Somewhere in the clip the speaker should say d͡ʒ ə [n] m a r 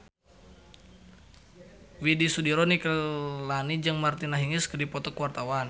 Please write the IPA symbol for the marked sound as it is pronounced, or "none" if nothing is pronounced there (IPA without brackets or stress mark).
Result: ŋ